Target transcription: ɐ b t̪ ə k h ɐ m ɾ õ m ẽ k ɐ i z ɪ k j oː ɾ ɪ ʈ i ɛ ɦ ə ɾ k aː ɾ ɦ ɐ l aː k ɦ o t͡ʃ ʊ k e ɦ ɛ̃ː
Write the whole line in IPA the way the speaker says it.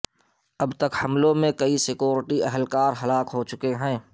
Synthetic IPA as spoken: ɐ b t̪ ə k h ɐ m l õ m ẽ k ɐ i s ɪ k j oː ɾ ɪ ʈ i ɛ ɦ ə l k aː ɾ ɦ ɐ l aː k ɦ o t͡ʃ ʊ k e ɦ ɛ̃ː